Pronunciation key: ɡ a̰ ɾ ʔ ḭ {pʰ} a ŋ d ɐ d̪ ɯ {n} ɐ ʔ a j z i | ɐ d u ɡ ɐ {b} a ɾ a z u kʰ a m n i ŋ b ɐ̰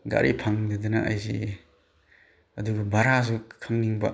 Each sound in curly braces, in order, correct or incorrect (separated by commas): correct, correct, correct